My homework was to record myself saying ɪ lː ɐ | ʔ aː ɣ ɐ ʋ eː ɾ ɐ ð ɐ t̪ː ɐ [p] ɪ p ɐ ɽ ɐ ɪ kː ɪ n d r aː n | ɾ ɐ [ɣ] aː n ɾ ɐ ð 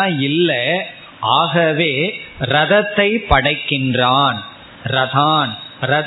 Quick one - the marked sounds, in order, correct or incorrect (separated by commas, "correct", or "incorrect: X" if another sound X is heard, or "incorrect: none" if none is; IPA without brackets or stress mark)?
incorrect: none, incorrect: ð